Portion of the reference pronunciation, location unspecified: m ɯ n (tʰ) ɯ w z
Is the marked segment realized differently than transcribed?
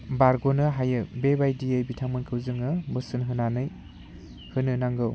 yes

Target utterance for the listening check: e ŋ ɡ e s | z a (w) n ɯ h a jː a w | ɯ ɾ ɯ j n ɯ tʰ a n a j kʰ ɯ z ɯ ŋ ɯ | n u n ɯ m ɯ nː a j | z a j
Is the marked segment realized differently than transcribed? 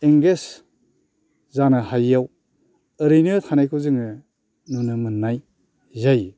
yes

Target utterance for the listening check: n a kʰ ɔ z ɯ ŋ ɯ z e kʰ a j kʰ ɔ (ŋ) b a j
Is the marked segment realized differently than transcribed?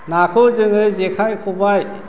yes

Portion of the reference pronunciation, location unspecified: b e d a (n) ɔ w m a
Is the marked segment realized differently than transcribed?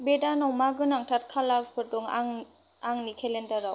no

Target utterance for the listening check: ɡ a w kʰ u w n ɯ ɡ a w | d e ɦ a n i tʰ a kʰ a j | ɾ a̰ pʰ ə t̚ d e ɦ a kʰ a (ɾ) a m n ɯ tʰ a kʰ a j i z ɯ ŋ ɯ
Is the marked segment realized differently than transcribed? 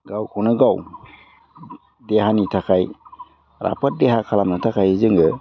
yes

